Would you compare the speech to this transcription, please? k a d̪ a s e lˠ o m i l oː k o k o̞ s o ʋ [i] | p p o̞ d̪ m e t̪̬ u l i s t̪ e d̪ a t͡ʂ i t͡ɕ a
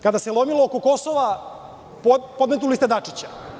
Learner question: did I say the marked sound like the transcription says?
no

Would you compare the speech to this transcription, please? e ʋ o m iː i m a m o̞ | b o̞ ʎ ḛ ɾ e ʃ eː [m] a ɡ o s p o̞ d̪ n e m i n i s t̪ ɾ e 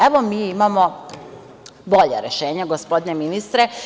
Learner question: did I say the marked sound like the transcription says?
no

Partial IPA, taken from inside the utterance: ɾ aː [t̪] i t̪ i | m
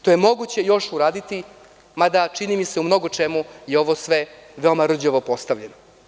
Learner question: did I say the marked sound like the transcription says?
no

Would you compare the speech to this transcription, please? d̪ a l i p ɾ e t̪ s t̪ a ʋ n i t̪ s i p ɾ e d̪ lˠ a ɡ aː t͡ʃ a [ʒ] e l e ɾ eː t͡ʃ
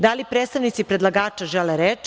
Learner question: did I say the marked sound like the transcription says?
yes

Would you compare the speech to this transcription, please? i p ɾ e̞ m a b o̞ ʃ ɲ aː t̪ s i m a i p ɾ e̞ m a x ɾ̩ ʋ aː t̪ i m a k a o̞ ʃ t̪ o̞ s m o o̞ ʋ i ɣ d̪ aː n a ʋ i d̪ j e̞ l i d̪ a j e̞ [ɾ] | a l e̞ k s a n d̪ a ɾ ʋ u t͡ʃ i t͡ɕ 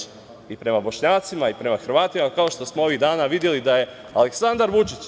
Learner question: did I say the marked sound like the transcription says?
no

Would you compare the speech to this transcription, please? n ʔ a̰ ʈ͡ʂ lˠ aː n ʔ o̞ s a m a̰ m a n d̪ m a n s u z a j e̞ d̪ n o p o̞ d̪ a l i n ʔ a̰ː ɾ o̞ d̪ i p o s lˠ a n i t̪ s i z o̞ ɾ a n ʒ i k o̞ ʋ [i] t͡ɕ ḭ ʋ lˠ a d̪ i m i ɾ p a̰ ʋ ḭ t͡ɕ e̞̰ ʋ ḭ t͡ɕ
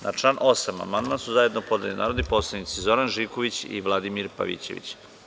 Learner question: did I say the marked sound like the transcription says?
yes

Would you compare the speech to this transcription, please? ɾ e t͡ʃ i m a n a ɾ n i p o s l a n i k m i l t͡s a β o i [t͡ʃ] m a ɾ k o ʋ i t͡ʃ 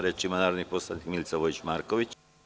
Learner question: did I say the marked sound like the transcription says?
yes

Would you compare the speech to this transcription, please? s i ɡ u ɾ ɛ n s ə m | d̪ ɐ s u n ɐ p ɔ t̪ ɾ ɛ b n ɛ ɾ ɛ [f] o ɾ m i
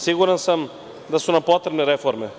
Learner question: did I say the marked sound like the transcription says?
yes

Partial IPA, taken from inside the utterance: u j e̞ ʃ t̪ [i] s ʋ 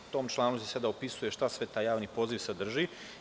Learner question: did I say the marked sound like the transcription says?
no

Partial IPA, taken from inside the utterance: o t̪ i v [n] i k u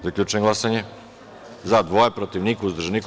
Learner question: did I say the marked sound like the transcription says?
yes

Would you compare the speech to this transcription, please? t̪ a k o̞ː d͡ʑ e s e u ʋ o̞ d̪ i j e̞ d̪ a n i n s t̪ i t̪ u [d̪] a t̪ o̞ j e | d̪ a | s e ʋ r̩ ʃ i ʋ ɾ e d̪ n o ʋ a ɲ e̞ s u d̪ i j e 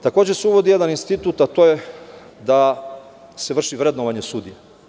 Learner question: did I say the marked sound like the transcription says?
no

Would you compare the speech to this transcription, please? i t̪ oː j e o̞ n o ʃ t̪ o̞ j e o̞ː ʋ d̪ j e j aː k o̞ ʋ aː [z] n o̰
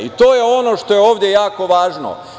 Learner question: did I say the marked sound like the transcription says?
no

